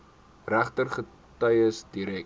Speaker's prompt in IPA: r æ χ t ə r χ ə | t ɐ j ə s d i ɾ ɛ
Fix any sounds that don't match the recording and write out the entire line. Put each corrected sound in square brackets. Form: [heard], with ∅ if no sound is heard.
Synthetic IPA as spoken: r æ χ t ə r χ ə | t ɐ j ə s d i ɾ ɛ